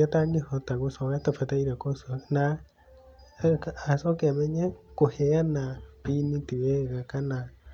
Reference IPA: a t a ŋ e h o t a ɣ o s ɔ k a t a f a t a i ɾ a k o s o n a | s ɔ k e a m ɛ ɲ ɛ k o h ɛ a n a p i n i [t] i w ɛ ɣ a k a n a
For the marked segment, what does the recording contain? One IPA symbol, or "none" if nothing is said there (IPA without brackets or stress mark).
t